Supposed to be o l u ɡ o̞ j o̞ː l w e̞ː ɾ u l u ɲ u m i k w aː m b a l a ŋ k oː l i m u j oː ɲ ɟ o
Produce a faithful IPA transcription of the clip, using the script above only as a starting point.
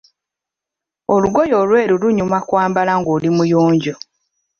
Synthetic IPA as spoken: o l u ɡ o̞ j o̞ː l w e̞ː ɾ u l u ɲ u m a k w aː m b a l a ŋ ɡ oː l i m u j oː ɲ ɟ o